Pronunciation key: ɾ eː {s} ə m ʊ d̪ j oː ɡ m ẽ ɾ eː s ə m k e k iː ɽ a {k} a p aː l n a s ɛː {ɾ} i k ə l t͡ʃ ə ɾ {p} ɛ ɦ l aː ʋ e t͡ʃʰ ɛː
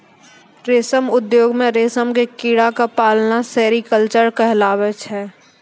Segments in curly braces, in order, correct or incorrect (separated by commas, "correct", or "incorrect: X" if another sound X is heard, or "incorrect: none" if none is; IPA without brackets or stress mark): correct, correct, correct, incorrect: k